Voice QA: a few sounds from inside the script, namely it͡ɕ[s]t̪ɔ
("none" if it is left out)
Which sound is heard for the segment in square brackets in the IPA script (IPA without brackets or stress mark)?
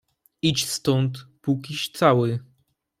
s